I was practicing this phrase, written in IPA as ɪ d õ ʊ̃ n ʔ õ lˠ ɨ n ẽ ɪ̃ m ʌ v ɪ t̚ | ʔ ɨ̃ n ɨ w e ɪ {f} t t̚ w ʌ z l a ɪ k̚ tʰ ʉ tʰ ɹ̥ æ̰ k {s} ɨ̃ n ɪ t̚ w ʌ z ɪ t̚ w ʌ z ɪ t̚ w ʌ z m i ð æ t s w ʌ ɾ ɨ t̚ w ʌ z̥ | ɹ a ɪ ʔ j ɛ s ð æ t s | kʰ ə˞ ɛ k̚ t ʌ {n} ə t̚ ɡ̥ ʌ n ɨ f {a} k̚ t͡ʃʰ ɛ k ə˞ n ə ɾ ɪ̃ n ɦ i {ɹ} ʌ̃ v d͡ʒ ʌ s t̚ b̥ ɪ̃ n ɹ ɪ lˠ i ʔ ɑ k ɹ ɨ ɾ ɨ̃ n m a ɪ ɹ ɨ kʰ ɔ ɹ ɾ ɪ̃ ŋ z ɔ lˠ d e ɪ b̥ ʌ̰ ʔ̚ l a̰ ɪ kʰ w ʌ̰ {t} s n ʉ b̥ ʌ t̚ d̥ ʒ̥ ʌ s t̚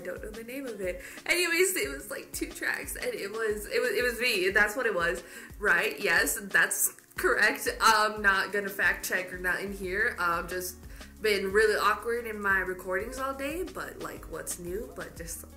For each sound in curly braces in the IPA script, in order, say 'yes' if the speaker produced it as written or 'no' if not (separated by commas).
no, yes, yes, no, yes, yes